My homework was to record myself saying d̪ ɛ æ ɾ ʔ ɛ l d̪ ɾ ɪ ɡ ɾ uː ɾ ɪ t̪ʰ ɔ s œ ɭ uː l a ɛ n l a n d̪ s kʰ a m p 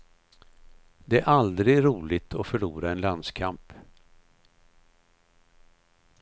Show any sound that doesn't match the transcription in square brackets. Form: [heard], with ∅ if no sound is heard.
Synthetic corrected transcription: d̪ ɛ æ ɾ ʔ [a] l d̪ ɾ ɪ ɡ ɾ uː [l] ɪ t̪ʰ ɔ [f] œ ɭ uː [ɾ] a ɛ n l a n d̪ s kʰ a m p